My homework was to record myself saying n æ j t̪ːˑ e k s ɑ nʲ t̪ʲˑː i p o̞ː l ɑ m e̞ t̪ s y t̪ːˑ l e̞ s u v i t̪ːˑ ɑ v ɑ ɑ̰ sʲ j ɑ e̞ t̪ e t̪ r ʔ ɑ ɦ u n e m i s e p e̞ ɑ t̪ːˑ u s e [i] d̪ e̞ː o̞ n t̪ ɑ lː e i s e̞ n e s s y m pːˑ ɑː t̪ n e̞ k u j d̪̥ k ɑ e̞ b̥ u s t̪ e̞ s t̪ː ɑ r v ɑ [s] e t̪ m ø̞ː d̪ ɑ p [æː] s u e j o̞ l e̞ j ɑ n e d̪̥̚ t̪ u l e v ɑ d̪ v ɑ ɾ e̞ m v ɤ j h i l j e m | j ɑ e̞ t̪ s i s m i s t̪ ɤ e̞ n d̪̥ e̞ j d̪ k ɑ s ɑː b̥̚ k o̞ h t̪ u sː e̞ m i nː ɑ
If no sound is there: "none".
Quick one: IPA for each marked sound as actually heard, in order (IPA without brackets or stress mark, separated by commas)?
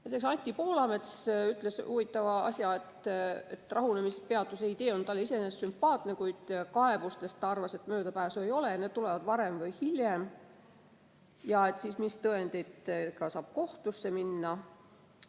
i, s, æː